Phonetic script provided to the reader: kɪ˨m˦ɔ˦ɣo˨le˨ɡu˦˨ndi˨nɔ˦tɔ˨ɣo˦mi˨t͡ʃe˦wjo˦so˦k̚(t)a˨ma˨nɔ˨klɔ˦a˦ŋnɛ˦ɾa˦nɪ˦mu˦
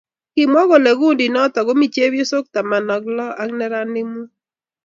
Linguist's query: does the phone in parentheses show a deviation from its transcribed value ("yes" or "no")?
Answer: no